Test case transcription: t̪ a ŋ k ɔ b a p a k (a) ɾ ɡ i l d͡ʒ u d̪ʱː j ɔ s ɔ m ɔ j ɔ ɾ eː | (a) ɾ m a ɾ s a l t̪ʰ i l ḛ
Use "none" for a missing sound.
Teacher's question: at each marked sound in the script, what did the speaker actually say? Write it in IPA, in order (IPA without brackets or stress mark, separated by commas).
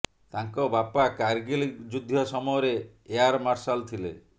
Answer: a, a